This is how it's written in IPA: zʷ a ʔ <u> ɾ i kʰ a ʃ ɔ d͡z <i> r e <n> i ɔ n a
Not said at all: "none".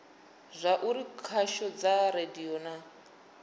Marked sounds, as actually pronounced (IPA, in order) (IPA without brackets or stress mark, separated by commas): u, a, d